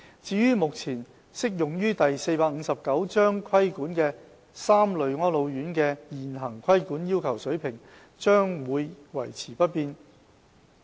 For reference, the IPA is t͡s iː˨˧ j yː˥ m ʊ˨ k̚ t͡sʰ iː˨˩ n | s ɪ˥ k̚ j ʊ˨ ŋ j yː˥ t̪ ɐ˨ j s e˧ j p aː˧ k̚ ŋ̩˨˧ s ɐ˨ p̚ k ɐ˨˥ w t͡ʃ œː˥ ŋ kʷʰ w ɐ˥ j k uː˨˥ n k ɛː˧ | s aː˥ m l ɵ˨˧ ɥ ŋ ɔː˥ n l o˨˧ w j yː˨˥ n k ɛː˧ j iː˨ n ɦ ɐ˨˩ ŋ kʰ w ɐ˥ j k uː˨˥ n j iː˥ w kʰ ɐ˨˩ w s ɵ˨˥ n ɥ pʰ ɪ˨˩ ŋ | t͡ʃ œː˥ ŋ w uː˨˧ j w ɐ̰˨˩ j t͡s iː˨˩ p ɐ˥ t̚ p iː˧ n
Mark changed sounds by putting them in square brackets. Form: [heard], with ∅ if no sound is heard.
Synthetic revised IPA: t͡s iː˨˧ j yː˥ m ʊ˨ k̚ t͡sʰ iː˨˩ n | s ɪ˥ k̚ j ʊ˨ ŋ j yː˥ t̪ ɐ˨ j s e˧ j p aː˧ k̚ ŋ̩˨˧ s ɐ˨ p̚ k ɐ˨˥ w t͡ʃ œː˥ ŋ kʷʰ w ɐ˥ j k uː˨˥ n k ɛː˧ | s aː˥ m l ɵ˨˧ ɥ ŋ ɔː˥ n l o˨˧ w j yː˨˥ n k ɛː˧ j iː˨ n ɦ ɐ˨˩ ŋ kʰ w ɐ˥ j k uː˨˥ n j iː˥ w kʰ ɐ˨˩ w s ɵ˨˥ [∅] ɥ pʰ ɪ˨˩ ŋ | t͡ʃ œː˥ ŋ w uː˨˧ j w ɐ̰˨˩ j [t͡sʰ] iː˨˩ p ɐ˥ t̚ p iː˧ n